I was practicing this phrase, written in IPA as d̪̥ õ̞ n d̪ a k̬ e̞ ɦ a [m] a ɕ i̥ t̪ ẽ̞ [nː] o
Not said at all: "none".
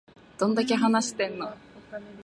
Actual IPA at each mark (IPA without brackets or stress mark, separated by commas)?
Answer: n, nː